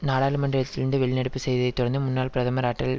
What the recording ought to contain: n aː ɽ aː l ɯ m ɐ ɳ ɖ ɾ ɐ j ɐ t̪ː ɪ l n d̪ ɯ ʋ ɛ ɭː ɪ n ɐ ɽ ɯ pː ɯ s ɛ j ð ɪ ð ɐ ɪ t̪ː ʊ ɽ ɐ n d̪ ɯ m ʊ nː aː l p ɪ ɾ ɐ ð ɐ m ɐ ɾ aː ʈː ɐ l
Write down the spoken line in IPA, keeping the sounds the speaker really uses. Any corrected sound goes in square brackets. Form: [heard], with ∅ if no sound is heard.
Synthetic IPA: n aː ɽ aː l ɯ m ɐ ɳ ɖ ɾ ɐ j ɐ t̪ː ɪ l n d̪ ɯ ʋ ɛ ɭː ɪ n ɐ ɽ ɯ pː ɯ s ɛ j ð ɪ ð ɐ ɪ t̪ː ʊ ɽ ɐ n d̪ ɯ m ʊ nː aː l p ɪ ɾ ɐ ð ɐ m ɐ ɾ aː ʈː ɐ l

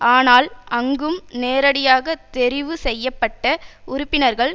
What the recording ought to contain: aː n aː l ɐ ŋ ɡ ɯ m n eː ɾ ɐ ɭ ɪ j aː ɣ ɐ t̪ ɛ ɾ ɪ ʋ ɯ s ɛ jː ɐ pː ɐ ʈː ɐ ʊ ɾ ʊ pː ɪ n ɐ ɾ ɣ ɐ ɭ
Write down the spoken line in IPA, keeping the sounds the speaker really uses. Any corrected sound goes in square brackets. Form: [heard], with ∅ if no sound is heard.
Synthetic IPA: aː n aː l ɐ ŋ ɡ ɯ m n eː ɾ ɐ [ɽ] ɪ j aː ɣ ɐ t̪ ɛ ɾ ɪ ʋ ɯ s ɛ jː ɐ pː ɐ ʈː ɐ ʊ ɾ ʊ pː ɪ n ɐ ɾ ɣ ɐ ɭ

